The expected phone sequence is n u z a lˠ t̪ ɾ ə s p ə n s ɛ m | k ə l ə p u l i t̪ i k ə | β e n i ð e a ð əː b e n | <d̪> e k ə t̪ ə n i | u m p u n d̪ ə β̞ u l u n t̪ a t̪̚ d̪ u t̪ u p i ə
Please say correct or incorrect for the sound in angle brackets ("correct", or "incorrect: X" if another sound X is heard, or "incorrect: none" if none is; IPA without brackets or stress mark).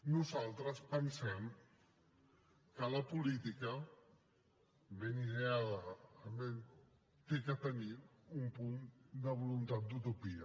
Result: incorrect: t̪